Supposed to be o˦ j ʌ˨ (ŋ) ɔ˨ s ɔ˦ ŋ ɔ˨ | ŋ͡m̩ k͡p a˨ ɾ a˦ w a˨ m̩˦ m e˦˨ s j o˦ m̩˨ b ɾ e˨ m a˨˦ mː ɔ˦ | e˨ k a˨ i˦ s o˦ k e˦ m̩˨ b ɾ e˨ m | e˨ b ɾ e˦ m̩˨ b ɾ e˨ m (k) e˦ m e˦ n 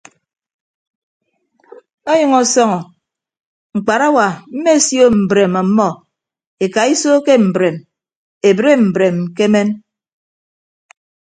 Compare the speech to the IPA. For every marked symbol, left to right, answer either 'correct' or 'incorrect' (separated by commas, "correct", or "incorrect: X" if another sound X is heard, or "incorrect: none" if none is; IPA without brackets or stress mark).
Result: correct, correct